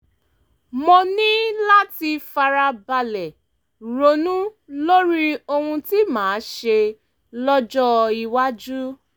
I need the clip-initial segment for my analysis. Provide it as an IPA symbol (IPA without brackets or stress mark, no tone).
m